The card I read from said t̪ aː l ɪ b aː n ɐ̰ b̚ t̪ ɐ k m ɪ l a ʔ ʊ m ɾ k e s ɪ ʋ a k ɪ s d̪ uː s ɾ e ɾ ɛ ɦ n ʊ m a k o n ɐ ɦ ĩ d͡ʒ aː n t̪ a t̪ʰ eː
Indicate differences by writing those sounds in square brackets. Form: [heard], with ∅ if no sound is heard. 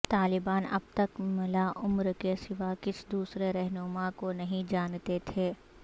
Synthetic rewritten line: t̪ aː l ɪ b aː n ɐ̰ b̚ t̪ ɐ k m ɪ l a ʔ ʊ m ɾ k e s ɪ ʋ a k ɪ s d̪ uː s ɾ e ɾ ɛ ɦ n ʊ m a k o n ɐ ɦ ĩ d͡ʒ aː n t̪ [e] t̪ʰ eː